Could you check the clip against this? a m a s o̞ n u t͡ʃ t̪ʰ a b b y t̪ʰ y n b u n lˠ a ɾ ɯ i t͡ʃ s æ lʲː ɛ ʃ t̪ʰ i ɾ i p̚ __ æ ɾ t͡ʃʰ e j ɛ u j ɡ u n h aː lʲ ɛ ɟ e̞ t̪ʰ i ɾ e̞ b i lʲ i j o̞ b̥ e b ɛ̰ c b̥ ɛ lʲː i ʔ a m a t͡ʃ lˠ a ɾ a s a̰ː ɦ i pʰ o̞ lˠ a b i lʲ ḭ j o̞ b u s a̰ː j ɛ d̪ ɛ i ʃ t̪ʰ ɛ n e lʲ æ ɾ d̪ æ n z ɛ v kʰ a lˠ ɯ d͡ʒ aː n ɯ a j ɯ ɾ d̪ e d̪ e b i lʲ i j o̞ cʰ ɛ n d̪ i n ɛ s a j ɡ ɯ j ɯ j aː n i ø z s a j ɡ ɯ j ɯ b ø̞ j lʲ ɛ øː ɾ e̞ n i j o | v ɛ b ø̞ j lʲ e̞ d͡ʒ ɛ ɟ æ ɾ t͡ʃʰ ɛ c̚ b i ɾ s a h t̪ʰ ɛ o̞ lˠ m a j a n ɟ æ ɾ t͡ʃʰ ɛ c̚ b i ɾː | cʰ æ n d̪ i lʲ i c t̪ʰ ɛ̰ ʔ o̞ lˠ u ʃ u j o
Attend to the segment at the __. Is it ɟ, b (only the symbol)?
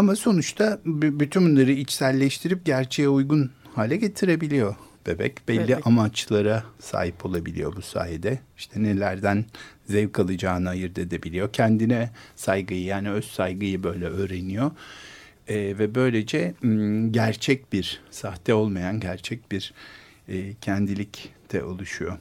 ɟ